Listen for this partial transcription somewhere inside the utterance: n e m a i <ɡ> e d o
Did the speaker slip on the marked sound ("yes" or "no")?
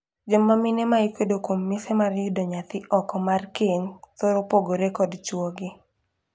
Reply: yes